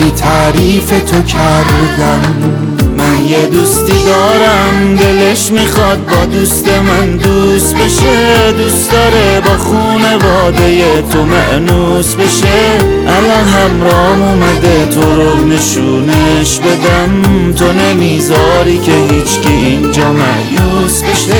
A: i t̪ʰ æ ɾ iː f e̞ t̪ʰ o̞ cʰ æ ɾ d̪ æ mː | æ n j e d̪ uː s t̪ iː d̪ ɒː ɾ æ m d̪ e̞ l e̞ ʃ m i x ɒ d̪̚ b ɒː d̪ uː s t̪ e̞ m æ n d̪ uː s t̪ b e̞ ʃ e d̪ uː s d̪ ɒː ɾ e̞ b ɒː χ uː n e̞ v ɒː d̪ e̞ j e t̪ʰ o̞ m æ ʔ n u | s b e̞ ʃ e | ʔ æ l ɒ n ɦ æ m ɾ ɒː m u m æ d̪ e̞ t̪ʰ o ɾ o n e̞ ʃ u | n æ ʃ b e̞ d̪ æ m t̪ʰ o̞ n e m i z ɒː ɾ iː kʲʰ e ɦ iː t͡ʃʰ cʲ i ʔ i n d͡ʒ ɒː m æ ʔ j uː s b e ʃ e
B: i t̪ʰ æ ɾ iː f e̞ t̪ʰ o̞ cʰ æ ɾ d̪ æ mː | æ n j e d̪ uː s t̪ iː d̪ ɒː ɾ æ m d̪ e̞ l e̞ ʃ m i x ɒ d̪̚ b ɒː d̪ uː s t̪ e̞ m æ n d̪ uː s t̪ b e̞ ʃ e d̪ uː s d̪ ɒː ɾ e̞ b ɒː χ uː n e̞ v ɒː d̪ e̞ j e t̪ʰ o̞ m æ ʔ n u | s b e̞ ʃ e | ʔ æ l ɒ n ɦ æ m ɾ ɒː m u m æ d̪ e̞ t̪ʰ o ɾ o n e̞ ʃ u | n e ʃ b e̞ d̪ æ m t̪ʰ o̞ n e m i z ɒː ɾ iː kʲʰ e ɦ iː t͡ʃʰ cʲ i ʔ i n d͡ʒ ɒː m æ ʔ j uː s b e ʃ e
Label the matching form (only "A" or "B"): B